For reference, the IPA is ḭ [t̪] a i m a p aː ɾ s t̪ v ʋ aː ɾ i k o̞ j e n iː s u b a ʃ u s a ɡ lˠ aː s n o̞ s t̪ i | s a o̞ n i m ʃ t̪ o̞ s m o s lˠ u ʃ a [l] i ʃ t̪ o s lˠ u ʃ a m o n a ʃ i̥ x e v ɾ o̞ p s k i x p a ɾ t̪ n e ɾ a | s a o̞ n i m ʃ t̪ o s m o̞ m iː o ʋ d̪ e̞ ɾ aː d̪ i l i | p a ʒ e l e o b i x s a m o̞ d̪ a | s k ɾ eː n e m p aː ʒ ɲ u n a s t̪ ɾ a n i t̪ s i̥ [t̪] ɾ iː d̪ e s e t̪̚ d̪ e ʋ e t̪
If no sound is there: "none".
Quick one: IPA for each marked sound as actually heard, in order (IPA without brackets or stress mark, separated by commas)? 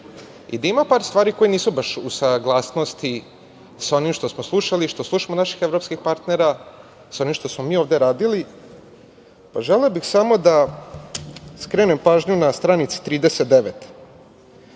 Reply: d̪, l, t̪